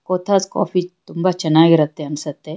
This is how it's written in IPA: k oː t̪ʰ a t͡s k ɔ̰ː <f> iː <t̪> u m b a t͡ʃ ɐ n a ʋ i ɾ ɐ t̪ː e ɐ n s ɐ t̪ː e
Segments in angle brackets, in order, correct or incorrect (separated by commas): correct, correct